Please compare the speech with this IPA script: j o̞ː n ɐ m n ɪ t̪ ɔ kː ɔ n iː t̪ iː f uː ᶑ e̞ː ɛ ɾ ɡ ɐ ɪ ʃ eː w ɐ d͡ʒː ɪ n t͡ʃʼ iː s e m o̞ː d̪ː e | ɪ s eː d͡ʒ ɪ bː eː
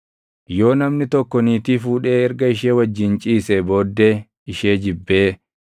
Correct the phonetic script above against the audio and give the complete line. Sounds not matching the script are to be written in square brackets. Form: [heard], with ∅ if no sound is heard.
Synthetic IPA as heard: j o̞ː n ɐ m n ɪ t̪ ɔ kː ɔ n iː t̪ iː f uː ᶑ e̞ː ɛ ɾ ɡ ɐ ɪ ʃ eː w ɐ d͡ʒː ɪ n t͡ʃʼ iː s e [b] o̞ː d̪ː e | ɪ [ʃ] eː d͡ʒ ɪ bː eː